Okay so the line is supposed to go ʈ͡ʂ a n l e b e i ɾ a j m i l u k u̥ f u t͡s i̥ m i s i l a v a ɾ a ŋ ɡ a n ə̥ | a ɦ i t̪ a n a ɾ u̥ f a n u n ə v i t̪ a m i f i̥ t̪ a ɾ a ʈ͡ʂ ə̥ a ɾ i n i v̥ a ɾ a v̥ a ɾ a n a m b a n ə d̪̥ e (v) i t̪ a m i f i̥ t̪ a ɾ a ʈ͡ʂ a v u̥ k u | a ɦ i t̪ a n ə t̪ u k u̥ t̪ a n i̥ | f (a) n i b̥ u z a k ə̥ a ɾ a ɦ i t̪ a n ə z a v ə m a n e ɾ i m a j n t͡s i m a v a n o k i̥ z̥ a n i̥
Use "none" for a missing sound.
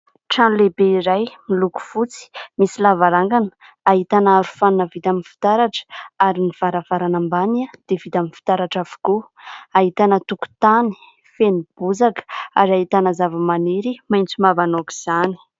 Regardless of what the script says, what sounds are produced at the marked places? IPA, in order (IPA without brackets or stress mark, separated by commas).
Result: v, e